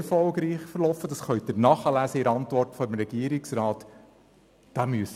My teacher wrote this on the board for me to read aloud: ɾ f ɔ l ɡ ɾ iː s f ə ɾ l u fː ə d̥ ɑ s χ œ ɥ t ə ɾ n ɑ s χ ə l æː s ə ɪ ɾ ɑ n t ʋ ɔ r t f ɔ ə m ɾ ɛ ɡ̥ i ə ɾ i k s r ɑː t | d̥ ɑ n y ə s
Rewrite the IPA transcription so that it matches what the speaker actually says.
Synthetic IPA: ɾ f ɔ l ɡ ɾ iː χ f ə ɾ l ɔ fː ə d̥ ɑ s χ œ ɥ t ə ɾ n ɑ χ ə l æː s ə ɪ ɾ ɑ n t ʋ ɔ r t f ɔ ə m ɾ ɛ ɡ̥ i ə ɾ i k s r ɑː t | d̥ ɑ m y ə s